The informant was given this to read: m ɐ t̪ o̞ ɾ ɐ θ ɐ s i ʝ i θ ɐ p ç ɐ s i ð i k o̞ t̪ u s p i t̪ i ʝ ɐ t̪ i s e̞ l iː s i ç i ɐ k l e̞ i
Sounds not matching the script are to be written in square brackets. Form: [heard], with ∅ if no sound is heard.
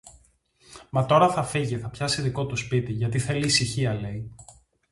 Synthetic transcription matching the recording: m ɐ t̪ o̞ ɾ ɐ θ ɐ [f] i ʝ i θ ɐ p ç ɐ s i ð i k o̞ t̪ u s p i t̪ i ʝ ɐ t̪ i [θ] e̞ l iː s i ç i ɐ [∅] l e̞ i